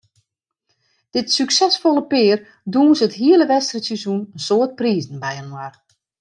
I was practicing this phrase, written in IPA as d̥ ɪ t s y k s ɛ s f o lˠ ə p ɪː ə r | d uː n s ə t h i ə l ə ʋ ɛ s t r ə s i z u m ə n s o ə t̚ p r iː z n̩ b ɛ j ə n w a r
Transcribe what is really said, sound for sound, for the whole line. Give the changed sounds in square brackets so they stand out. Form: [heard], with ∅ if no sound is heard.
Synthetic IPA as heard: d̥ ɪ t s y k s ɛ s f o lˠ ə p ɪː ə r | d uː n s ə t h i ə l ə ʋ ɛ s t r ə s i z u [n] ə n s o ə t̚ p r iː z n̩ b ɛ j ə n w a r

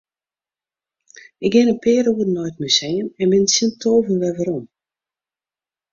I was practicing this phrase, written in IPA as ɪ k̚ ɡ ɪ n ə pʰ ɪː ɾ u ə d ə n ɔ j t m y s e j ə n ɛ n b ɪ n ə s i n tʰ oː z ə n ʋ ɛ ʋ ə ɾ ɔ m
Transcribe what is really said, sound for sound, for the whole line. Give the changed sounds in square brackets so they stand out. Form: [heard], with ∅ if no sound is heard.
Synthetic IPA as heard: ɪ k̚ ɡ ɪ n ə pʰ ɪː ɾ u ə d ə n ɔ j t m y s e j ə n ɛ n b ɪ n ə s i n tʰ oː [v] ə n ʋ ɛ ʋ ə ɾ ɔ m

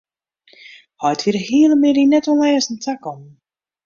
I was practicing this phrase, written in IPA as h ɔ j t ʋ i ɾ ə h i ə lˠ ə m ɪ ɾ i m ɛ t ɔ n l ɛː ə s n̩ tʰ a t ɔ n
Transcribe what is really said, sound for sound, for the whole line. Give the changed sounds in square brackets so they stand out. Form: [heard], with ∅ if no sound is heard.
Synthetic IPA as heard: h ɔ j t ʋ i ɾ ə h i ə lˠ ə m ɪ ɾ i [n] ɛ t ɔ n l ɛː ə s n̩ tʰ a [k] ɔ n

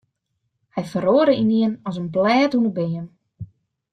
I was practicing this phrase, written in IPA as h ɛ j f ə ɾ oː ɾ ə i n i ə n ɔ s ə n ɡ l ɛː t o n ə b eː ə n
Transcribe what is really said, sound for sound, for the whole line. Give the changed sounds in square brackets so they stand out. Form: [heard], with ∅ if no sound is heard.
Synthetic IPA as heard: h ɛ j f ə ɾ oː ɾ ə i n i ə n ɔ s ə n [b] l ɛː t [u] n ə b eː ə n

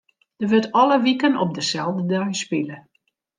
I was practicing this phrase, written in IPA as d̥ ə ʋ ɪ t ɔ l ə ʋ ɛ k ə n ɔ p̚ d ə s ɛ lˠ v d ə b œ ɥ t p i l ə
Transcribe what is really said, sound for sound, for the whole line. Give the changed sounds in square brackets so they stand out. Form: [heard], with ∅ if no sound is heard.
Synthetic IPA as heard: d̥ ə ʋ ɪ t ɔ l ə ʋ [i] k ə n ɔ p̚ d ə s ɛ lˠ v d ə [d] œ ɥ [s] p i l ə

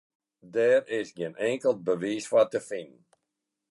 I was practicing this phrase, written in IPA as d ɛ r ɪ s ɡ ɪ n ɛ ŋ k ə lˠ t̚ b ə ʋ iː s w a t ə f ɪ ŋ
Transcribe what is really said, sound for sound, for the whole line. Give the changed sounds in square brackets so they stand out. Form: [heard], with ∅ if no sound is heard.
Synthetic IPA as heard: d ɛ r ɪ s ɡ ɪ n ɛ ŋ k ə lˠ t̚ b ə ʋ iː s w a t ə f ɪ [n]

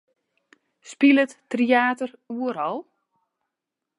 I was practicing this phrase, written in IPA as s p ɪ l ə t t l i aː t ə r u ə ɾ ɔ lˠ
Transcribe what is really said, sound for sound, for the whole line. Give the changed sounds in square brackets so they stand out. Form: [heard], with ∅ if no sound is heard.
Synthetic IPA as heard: s p [i] l ə t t [r] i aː t ə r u ə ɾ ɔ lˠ

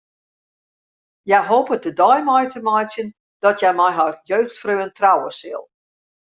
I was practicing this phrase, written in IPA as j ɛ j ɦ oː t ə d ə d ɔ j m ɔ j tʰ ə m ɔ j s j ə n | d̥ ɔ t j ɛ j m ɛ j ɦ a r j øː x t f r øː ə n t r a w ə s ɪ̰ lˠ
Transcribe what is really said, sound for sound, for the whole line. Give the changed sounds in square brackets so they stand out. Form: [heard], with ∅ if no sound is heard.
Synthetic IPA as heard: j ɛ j ɦ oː [p] ə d ə d ɔ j m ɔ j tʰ ə m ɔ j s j ə n | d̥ ɔ t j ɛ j m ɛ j ɦ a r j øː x t f r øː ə n t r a w ə s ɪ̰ lˠ

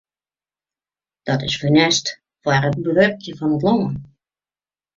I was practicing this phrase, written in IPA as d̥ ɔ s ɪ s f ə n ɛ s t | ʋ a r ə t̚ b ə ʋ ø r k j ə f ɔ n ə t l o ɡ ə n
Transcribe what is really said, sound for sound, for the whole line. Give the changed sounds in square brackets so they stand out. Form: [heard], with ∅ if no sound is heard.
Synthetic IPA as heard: d̥ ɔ [t] ɪ s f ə n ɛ s t | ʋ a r ə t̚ b ə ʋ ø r k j ə f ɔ n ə t l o [ŋ] ə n

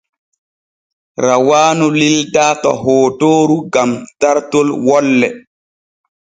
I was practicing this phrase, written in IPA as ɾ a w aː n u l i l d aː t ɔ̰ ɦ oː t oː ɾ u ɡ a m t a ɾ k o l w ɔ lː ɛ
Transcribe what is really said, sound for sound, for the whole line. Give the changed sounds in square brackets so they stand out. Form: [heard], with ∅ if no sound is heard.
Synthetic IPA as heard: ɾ a w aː n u l i l d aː t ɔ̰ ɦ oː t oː ɾ u ɡ a m t a ɾ [t] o l w ɔ lː ɛ

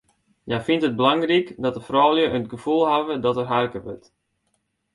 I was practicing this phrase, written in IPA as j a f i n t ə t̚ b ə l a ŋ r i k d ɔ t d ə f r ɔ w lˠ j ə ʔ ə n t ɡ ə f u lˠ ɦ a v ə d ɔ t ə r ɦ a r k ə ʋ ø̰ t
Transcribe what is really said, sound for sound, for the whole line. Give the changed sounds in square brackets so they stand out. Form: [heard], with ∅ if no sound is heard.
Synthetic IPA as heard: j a f i n t ə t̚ b ə l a ŋ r i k d ɔ t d ə f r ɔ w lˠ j ə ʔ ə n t ɡ ə f u lˠ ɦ a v ə d ɔ t ə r ɦ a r k ə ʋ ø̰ t

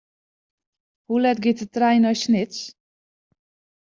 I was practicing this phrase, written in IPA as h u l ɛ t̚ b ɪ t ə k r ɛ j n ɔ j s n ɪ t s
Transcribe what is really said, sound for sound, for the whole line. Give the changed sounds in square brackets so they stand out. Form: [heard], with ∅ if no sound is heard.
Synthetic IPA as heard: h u l ɛ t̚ [ɡ] ɪ t ə [t] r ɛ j n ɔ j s n ɪ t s

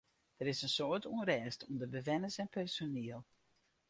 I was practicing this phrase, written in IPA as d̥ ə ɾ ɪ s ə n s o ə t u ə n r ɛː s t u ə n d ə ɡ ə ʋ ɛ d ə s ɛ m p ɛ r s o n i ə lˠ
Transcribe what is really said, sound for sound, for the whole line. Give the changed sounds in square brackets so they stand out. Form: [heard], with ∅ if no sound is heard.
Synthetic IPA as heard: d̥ ə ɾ ɪ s ə n s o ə t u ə n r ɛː s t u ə n d ə [b] ə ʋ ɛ [n] ə s ɛ [n] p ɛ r s o n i ə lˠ

